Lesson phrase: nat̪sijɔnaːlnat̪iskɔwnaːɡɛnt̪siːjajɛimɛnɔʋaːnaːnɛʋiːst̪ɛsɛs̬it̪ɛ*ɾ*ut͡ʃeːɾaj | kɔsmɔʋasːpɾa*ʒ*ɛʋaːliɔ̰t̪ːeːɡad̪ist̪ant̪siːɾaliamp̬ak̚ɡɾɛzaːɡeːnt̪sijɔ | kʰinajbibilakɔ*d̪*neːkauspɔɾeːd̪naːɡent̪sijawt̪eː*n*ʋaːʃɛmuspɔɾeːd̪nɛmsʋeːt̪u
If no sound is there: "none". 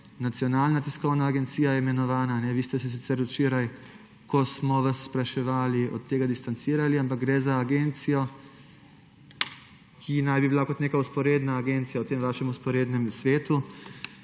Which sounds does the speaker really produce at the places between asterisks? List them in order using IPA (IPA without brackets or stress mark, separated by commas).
ɾ, ʃ, t̪, m